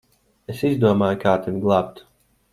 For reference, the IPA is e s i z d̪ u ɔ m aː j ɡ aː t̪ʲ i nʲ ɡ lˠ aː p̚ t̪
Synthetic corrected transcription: e s i z d̪ u ɔ m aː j k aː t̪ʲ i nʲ ɡ lˠ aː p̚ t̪